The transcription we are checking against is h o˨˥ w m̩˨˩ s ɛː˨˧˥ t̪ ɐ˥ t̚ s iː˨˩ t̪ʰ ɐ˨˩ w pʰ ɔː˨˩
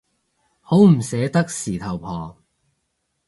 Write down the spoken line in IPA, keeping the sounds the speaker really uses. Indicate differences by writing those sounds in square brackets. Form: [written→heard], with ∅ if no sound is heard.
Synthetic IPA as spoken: h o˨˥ w m̩˨˩ s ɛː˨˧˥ t̪ ɐ˥ [t̚→k̚] s iː˨˩ t̪ʰ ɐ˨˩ w pʰ ɔː˨˩